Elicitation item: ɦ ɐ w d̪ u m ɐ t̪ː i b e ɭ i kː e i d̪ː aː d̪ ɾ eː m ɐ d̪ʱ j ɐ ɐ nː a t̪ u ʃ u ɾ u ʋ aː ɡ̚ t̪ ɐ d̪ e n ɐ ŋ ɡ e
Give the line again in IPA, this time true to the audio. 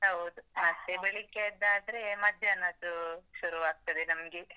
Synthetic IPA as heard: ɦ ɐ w d̪ u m ɐ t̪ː e b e ɭ i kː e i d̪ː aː d̪ ɾ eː m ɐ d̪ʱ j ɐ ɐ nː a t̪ u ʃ u ɾ u ʋ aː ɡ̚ t̪ ɐ d̪ e n ɐ m ɡ e